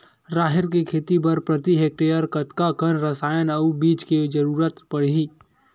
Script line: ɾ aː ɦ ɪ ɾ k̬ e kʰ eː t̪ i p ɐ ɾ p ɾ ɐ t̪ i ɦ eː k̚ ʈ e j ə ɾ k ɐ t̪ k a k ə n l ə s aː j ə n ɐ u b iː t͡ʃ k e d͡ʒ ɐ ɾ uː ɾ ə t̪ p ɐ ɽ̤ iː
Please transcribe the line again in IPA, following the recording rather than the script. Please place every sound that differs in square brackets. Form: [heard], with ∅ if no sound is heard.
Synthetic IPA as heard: ɾ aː ɦ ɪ ɾ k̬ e kʰ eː t̪ i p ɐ ɾ p ɾ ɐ t̪ i ɦ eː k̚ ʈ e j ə ɾ k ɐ t̪ k a k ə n [ɾ] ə s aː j ə n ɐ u b iː t͡ʃ k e d͡ʒ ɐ ɾ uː ɾ ə t̪ p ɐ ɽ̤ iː